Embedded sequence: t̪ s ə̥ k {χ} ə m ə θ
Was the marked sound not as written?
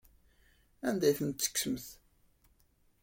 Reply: yes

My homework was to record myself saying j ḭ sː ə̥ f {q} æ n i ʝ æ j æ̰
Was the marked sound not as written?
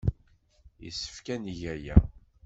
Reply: yes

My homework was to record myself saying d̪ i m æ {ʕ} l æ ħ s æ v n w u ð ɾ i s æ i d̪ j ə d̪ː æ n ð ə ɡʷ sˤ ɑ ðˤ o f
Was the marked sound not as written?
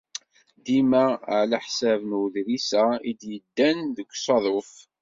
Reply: no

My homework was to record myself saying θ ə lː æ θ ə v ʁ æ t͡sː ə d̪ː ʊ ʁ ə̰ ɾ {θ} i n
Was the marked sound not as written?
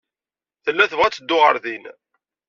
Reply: yes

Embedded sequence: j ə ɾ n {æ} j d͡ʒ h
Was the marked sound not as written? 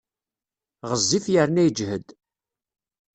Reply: no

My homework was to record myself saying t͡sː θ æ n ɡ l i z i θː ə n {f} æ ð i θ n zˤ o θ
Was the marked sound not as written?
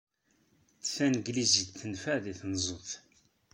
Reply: no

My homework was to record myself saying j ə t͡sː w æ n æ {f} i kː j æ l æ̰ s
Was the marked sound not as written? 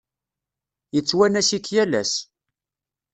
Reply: yes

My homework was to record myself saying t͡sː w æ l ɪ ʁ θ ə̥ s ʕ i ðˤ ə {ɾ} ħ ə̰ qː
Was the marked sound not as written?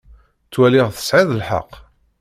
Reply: yes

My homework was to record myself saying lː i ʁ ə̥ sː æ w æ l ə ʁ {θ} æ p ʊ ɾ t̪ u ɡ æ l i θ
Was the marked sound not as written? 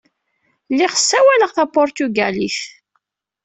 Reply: no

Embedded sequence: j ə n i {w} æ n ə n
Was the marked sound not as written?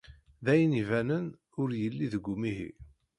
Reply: yes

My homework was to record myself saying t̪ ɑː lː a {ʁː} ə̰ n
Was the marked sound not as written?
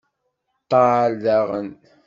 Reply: yes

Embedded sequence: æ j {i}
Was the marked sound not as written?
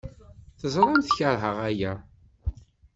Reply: yes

